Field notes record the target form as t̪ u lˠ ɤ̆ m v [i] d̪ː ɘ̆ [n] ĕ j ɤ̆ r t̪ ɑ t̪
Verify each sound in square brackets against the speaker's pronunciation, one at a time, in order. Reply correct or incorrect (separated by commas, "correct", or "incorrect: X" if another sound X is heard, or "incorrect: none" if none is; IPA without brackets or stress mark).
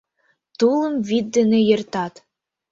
correct, correct